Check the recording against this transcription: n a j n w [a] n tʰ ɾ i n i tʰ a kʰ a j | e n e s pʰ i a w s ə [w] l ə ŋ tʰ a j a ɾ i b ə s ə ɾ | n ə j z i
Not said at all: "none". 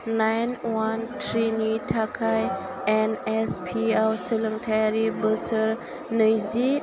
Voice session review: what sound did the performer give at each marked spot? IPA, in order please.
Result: a, none

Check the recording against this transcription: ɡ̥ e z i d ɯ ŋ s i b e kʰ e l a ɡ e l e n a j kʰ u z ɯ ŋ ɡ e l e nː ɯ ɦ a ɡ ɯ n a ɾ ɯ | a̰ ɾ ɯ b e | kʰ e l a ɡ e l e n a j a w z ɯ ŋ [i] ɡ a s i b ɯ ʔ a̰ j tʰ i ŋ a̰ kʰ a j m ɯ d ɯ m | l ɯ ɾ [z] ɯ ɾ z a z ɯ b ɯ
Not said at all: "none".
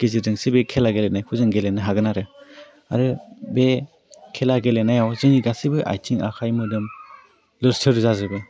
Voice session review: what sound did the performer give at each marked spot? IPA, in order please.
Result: i, s

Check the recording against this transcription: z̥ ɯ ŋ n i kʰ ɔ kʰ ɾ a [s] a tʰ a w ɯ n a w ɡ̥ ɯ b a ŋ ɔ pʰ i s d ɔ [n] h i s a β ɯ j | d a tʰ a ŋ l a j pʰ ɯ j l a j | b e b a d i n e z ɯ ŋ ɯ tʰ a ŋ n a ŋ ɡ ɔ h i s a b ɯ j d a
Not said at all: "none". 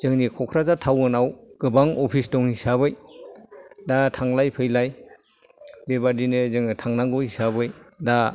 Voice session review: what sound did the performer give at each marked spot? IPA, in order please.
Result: z, ŋ

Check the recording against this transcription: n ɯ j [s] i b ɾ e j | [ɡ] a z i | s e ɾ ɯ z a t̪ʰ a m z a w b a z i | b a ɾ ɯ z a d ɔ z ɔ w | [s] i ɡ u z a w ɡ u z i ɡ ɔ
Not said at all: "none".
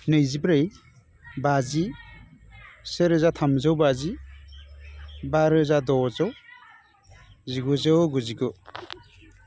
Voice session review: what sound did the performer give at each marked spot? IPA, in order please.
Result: z, b, z

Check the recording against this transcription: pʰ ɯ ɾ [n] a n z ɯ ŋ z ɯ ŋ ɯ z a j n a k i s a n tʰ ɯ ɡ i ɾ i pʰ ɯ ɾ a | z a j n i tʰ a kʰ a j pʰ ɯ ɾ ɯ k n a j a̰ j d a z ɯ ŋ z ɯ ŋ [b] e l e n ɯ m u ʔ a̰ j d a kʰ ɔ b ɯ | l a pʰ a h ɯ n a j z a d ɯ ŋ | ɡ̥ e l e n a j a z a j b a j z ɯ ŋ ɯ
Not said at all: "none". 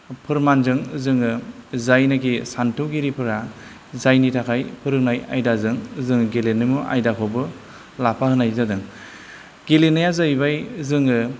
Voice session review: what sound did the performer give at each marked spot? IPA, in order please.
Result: m, ɡ

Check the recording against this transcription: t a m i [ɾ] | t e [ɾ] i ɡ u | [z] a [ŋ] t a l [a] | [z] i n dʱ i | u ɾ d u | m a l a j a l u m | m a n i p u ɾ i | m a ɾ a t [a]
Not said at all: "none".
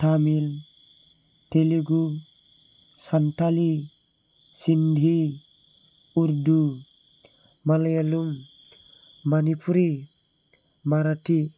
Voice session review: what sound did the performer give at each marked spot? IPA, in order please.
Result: l, l, s, n, i, s, i

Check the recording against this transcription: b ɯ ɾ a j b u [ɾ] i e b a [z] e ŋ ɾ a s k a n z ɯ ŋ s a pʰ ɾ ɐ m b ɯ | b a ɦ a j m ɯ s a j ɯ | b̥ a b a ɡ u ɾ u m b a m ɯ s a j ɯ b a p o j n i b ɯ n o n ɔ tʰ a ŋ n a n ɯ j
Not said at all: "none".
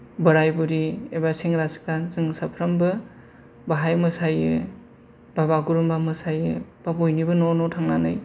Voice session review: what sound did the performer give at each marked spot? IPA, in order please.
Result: ɾ, s

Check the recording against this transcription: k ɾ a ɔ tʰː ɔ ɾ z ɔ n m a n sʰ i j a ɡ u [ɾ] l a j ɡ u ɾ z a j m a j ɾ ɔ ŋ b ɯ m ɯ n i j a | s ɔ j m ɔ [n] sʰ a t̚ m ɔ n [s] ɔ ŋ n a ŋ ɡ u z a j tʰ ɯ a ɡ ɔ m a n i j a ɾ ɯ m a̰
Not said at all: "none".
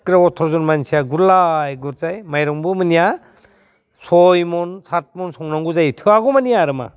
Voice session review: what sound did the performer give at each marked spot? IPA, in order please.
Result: ɾ, n, s

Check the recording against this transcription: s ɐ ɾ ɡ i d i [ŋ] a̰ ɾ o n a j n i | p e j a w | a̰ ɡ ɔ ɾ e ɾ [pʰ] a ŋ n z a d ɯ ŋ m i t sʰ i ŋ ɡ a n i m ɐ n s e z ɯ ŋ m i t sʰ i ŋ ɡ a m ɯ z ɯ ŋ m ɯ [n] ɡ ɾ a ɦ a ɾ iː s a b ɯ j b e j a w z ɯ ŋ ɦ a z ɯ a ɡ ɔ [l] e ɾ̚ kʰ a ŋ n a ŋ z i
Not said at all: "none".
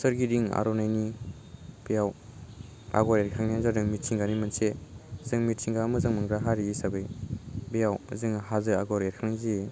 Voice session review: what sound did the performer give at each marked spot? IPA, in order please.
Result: ŋ, kʰ, ŋ, ɾ

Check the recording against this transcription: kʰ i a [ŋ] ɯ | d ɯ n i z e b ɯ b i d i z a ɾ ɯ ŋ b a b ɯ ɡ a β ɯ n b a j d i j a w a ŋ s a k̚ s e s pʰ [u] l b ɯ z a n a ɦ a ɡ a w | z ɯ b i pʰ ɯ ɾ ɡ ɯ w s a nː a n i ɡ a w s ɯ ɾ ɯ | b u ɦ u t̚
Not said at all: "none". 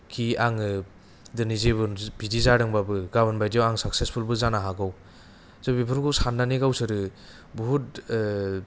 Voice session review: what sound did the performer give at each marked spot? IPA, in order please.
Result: ŋ, u

